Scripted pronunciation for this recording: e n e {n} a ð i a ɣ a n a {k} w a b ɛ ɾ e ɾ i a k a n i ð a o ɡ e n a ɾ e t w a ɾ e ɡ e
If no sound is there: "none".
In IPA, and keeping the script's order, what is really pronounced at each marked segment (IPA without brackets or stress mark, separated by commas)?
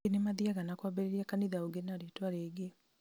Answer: m, k